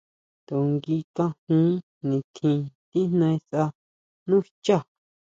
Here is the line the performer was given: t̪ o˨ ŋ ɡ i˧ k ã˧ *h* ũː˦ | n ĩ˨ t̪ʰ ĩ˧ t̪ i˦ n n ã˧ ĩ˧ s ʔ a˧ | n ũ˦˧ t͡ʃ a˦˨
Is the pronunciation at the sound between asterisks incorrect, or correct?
correct